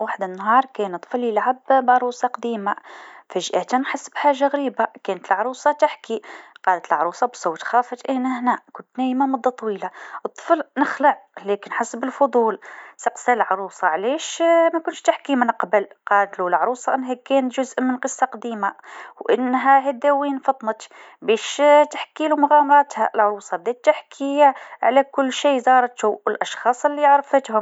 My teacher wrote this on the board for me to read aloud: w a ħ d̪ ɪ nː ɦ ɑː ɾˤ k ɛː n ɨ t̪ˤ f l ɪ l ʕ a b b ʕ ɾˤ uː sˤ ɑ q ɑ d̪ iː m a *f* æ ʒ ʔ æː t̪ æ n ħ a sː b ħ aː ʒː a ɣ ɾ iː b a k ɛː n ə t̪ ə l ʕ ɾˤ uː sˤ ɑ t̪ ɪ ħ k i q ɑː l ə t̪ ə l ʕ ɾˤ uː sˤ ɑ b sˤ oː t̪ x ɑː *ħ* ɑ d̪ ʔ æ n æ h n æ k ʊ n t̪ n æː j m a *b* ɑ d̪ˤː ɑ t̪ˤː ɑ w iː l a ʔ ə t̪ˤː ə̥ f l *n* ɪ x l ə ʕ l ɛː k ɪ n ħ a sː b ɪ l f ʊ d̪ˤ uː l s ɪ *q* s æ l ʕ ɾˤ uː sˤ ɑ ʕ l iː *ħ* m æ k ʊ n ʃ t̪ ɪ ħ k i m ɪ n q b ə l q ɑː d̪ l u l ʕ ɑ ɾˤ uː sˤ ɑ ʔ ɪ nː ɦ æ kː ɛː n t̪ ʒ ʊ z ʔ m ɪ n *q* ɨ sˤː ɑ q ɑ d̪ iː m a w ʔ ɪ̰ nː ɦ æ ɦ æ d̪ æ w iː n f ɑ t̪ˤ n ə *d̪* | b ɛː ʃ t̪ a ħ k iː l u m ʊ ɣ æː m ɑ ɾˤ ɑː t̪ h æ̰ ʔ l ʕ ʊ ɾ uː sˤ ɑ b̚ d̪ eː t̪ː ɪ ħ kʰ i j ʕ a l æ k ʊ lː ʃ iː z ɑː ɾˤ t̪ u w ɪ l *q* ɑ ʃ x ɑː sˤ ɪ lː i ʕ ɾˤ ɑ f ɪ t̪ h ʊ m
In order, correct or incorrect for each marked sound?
correct, incorrect, incorrect, correct, correct, incorrect, correct, incorrect, incorrect

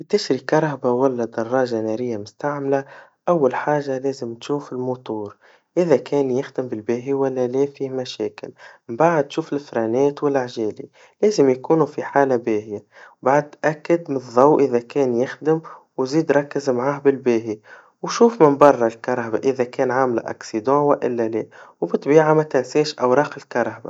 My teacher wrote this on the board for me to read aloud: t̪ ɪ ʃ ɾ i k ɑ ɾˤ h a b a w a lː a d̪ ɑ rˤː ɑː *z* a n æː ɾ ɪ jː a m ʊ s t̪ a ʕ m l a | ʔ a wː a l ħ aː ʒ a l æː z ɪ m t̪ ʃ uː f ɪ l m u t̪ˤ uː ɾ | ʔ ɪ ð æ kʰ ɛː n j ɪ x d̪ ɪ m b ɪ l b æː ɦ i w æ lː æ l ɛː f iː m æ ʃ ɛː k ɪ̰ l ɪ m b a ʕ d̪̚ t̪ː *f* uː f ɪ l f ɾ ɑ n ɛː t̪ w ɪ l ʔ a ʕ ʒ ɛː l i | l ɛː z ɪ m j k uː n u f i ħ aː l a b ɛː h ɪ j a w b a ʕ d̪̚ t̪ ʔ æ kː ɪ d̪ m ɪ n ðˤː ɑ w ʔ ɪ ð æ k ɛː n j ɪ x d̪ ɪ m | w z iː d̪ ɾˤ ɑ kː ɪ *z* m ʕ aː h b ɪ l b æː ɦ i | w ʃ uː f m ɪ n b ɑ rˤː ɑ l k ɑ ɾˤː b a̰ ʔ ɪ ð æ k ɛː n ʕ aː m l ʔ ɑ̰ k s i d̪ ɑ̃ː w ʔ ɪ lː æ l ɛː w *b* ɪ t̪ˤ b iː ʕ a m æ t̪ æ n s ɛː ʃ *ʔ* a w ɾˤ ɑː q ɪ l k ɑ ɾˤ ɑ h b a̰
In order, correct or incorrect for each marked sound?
incorrect, incorrect, correct, correct, correct

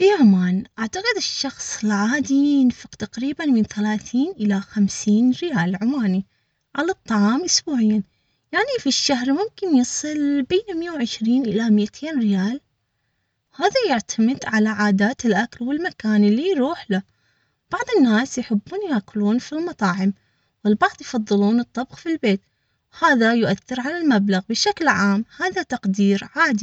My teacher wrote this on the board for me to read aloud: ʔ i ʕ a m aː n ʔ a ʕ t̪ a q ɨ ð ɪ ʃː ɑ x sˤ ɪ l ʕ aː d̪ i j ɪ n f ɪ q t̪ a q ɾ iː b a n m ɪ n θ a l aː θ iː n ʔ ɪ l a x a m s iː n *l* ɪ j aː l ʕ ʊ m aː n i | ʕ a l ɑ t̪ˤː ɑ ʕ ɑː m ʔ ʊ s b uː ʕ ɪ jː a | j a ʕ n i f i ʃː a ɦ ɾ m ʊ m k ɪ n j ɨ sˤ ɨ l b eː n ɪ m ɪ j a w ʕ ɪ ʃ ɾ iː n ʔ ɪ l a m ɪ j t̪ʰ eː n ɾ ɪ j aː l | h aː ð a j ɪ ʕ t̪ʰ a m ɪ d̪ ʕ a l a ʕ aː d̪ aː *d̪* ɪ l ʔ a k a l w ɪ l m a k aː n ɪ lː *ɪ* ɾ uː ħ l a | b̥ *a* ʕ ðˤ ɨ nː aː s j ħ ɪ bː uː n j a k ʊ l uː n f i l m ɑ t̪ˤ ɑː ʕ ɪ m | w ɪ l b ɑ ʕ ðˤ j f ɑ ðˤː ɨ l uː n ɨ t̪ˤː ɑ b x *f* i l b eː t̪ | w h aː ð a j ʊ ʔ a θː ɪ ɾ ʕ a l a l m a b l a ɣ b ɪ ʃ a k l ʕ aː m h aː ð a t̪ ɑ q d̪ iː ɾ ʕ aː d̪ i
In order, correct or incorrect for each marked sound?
incorrect, incorrect, incorrect, incorrect, correct

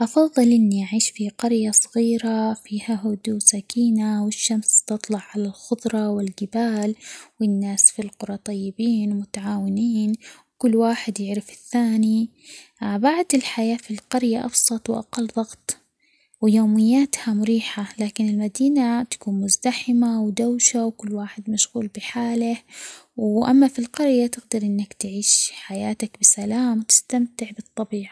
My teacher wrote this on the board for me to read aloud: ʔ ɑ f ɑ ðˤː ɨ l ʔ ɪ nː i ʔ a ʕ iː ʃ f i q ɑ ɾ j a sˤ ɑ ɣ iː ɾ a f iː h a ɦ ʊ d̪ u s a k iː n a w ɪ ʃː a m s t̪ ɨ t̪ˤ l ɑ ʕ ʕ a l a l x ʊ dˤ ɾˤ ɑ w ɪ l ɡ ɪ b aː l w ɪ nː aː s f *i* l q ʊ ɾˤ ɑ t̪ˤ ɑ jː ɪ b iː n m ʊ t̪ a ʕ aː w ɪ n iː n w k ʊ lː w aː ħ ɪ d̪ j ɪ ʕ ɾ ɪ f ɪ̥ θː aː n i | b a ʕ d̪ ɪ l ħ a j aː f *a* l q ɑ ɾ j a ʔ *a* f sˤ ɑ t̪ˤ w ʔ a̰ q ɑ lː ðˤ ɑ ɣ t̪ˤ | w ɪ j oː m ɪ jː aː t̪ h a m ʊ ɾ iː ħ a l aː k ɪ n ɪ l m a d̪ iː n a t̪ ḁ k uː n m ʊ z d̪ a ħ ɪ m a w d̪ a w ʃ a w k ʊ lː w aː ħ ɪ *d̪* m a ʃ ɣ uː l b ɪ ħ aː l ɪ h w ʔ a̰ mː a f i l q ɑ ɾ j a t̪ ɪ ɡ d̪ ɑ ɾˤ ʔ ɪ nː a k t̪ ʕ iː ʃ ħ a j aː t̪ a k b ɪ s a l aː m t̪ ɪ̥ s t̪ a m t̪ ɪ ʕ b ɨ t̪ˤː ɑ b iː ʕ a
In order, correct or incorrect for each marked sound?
correct, incorrect, incorrect, correct

